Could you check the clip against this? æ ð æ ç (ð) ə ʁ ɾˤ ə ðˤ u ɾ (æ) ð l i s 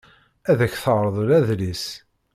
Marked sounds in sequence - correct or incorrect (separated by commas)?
incorrect, correct